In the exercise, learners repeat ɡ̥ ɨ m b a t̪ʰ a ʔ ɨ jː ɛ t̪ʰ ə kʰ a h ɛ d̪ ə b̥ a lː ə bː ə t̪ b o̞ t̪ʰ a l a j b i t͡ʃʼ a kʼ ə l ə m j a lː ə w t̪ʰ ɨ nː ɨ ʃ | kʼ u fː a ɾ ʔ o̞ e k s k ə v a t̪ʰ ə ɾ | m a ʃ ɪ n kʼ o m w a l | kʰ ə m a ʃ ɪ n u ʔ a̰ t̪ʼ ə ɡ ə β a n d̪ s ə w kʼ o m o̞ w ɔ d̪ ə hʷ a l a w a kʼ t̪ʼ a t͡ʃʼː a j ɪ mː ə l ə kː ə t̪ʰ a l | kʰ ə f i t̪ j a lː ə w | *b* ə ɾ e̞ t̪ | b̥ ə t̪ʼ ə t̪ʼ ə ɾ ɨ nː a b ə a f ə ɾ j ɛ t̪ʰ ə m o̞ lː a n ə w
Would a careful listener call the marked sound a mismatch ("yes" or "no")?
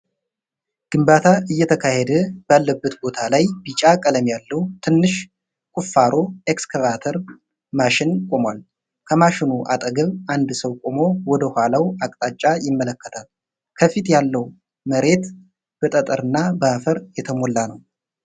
yes